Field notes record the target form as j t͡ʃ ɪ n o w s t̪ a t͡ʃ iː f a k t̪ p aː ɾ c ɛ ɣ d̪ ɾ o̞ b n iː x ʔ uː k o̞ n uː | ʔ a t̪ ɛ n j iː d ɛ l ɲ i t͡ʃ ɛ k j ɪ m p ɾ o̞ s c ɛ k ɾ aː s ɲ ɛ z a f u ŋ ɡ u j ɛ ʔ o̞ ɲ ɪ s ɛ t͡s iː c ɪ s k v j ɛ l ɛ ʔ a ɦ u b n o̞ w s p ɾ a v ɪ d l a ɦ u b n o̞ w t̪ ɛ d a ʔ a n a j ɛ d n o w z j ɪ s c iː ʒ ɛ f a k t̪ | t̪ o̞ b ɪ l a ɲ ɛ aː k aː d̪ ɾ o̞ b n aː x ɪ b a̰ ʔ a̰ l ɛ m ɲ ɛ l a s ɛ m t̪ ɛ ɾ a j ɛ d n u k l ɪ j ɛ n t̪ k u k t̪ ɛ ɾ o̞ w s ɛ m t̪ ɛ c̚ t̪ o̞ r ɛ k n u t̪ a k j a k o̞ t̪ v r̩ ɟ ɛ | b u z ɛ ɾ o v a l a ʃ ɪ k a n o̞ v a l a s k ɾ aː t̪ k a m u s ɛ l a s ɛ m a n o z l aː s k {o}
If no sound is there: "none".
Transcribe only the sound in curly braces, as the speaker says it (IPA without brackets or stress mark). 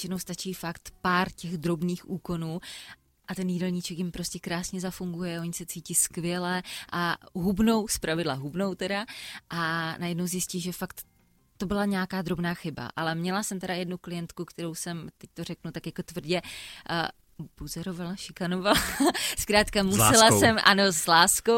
o